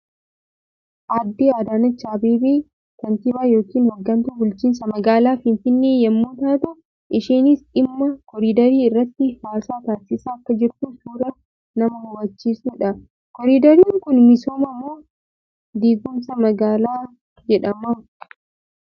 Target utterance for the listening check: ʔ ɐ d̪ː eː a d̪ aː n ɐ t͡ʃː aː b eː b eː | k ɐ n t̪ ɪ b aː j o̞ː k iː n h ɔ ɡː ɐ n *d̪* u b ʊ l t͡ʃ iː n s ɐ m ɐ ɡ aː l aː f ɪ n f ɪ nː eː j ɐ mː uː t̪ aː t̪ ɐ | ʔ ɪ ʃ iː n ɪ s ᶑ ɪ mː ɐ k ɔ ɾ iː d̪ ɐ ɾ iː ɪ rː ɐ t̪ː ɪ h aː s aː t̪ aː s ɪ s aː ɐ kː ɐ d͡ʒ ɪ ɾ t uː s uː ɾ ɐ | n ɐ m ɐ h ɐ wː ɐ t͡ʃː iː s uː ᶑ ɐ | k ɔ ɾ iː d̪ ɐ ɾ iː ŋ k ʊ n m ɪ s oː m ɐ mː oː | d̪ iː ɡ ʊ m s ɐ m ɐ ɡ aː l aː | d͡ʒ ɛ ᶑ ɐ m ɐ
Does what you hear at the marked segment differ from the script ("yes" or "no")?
yes